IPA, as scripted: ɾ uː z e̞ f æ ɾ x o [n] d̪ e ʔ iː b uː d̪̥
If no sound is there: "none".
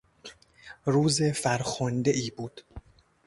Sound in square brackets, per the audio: n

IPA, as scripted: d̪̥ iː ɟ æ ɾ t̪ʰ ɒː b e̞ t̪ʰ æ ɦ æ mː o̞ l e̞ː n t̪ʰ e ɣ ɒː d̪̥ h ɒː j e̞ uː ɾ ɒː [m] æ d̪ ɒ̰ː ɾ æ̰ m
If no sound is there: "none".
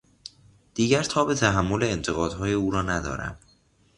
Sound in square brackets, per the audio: n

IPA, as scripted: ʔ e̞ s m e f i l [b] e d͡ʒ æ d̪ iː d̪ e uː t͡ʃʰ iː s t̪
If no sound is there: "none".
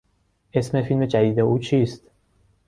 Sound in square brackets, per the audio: m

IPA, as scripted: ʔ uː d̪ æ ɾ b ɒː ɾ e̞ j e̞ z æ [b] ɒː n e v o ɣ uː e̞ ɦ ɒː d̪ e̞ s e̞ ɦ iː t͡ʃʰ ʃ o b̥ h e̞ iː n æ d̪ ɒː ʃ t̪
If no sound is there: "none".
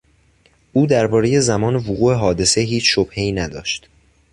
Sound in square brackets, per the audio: m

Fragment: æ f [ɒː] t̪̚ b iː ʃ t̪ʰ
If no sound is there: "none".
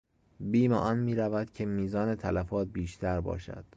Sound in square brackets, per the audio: ɒː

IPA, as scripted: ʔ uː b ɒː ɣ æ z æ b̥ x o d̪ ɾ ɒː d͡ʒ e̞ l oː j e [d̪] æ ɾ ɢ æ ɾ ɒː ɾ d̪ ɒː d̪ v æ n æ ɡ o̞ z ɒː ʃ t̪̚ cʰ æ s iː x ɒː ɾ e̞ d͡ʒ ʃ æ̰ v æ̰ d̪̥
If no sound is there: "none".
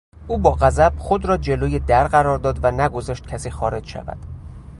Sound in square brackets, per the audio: d̪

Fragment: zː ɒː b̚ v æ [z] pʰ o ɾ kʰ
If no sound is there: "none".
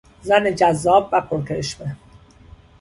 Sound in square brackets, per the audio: none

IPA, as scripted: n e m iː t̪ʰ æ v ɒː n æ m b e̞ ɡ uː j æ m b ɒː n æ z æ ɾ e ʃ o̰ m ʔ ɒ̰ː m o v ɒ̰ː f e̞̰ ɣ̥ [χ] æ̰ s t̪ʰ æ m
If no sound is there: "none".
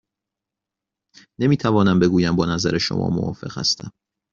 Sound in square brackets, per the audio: h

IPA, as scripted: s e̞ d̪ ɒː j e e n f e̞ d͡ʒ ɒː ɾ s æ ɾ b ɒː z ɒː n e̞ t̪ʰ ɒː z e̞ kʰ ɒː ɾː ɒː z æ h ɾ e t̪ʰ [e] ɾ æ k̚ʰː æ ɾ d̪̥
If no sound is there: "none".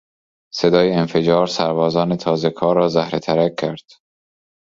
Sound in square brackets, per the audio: æ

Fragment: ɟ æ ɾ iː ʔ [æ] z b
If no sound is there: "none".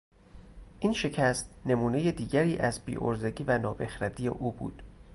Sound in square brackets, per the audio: æ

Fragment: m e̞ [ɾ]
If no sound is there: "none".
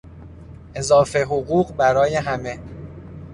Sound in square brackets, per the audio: none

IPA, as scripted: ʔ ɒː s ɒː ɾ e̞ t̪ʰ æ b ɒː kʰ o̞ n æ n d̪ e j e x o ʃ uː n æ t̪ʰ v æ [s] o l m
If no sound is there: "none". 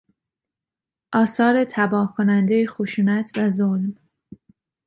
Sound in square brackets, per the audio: z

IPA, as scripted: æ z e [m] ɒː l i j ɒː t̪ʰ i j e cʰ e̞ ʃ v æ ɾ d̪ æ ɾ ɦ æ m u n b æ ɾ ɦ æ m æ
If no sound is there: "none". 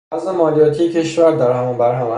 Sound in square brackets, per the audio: m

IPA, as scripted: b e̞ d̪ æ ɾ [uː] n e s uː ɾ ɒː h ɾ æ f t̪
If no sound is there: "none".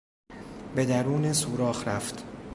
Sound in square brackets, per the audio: uː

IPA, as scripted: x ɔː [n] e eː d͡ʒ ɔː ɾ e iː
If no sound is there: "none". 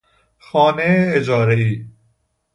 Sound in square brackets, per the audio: n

